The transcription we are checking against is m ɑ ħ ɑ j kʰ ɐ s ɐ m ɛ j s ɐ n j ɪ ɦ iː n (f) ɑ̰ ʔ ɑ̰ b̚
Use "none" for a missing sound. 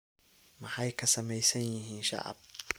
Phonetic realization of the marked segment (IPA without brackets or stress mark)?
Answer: ʃ